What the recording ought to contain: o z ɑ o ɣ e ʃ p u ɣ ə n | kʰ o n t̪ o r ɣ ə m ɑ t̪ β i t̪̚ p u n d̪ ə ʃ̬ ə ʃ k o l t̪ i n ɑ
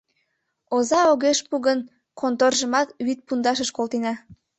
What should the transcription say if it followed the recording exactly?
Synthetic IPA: o z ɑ o ɣ e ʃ p u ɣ ə n | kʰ o n t̪ o r ʒ ə m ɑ t̪ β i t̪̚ p u n d̪ ɑ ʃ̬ ə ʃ k o l t̪ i n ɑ